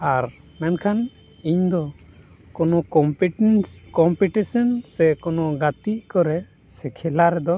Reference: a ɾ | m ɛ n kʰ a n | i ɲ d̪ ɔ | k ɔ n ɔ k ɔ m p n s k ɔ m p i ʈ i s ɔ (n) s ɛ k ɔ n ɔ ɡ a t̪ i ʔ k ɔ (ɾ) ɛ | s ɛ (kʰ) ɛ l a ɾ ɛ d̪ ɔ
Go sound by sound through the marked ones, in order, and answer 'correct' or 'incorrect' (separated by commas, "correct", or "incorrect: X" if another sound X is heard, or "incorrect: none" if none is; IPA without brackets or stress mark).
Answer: correct, correct, correct